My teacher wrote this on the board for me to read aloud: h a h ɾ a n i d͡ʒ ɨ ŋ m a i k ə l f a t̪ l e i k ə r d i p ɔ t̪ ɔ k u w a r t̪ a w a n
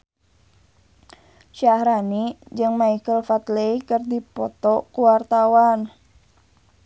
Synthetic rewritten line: ʃ a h ɾ a n i d͡ʒ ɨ ŋ m a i k ə l f a t̪ l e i k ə r d i p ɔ t̪ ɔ k u w a r t̪ a w a n